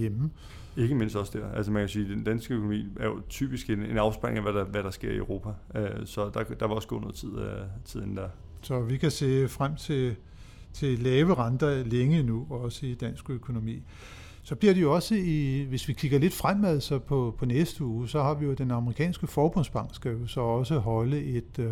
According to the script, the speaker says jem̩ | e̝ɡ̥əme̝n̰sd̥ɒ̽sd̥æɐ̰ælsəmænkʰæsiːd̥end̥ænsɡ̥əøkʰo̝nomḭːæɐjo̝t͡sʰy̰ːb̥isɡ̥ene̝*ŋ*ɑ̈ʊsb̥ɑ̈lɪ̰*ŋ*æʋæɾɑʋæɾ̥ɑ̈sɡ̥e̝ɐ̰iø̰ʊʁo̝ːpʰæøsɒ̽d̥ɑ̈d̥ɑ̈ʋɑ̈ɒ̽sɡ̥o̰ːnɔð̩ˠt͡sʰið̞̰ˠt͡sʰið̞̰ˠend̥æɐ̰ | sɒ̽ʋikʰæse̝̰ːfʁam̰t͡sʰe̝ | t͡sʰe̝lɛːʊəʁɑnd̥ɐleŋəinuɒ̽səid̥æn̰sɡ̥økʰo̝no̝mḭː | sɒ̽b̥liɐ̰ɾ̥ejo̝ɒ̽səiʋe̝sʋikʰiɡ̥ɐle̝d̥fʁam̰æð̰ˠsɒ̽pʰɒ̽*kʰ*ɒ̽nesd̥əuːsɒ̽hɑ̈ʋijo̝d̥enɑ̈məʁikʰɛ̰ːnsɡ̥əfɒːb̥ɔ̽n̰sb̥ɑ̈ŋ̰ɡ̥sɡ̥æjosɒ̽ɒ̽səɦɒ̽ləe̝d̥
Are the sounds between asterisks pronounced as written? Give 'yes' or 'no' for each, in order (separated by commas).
no, yes, no